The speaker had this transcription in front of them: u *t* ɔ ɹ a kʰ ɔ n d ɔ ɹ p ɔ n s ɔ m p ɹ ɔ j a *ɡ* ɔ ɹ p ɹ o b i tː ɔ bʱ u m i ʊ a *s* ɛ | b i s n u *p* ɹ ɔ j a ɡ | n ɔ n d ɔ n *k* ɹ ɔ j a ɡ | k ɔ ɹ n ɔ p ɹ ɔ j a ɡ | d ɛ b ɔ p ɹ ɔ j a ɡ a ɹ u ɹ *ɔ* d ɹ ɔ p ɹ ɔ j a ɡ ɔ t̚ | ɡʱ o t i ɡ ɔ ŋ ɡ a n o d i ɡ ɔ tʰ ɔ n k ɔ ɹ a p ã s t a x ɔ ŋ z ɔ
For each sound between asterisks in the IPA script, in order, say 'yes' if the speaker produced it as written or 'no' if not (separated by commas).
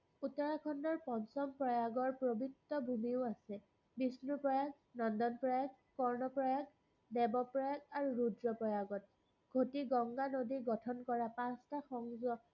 yes, yes, yes, yes, no, no